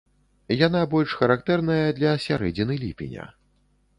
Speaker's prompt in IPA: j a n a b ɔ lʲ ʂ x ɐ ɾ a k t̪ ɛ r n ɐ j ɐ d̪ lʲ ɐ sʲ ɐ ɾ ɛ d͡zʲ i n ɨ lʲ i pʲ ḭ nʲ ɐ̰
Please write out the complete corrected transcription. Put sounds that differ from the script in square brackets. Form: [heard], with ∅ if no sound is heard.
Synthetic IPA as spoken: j a n a b ɔ lʲ ʂ x ɐ ɾ a k t̪ ɛ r n ɐ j ɐ d̪ lʲ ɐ sʲ [a] ɾ ɛ d͡zʲ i n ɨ lʲ i pʲ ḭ nʲ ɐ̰